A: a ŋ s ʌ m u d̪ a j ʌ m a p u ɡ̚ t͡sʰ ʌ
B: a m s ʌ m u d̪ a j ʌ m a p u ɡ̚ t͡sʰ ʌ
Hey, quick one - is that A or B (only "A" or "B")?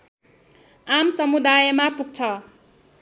B